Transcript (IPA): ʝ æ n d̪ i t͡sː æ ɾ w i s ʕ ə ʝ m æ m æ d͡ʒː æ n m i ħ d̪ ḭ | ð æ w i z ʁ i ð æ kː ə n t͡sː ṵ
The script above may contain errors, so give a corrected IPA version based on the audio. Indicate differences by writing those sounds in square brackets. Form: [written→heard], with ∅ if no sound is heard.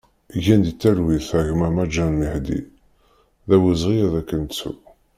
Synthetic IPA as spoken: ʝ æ n d̪ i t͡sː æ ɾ w i [s→θ] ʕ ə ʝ m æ m æ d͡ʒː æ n m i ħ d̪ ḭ | ð æ w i z ʁ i ð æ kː ə n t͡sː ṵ